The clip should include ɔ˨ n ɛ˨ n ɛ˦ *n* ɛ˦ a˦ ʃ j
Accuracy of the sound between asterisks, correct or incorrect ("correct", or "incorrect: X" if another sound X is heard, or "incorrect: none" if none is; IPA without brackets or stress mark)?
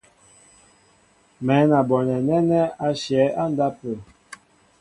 correct